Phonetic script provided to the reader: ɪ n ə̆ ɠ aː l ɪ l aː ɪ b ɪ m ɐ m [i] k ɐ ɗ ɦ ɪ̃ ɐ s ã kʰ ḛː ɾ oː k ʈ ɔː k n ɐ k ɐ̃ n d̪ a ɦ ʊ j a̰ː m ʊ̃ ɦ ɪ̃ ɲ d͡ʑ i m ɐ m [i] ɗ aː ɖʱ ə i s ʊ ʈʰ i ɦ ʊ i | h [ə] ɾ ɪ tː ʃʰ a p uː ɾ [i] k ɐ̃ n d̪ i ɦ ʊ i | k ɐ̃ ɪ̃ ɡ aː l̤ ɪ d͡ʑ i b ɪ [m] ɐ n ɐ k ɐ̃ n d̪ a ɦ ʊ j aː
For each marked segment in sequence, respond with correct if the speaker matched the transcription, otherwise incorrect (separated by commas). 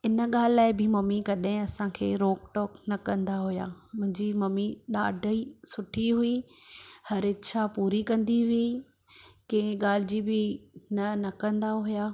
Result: correct, correct, incorrect, correct, incorrect